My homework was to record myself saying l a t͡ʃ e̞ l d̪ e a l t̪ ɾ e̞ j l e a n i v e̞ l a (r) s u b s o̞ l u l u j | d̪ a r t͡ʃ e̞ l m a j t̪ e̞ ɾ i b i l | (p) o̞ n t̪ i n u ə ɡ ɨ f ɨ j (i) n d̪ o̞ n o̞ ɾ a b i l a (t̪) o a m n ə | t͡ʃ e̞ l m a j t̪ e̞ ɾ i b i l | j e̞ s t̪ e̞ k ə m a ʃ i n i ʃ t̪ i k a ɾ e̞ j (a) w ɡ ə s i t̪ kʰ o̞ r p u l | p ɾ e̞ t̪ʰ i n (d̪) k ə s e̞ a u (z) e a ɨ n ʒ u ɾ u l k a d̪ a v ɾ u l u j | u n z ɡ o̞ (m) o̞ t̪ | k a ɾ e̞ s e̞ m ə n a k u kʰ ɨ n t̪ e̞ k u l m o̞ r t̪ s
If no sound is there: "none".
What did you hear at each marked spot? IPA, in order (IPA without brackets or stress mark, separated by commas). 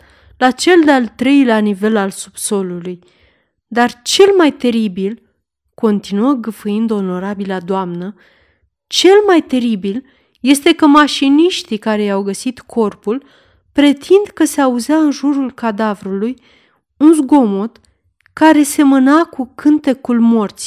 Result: l, k, i, d̪, a, d̪, z, m